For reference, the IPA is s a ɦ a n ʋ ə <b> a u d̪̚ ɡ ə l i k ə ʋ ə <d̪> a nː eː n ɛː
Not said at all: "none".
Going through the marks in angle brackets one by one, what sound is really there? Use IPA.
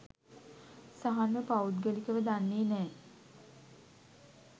p, d̪

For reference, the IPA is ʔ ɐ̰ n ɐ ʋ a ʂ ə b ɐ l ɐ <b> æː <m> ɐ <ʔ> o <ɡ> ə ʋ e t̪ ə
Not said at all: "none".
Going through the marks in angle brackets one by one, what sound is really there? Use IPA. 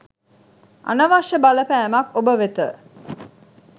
p, m, k, b

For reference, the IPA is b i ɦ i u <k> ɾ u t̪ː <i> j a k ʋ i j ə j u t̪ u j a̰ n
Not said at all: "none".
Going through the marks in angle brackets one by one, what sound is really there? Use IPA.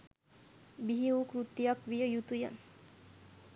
k, i

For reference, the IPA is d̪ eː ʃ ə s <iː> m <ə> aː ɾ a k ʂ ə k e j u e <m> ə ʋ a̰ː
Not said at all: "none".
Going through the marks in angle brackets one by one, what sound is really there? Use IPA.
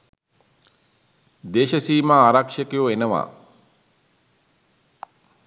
iː, a, n

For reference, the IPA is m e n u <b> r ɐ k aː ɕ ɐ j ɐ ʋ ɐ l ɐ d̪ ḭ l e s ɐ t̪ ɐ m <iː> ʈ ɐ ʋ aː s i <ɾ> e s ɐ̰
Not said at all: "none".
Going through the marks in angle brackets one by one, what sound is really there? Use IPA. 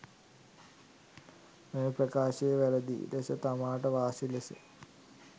p, aː, l

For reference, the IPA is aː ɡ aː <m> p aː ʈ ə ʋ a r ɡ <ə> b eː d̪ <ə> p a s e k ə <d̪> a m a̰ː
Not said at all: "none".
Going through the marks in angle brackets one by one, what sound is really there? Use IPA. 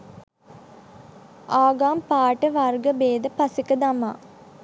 m, ə, ə, d̪

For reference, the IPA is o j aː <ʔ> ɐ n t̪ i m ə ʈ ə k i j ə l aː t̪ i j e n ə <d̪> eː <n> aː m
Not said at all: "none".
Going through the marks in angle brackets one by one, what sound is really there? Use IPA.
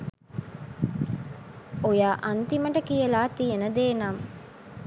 ʔ, d̪, n

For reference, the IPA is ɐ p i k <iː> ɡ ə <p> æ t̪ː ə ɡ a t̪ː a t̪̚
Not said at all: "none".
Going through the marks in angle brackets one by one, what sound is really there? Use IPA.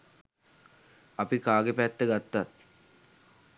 aː, p

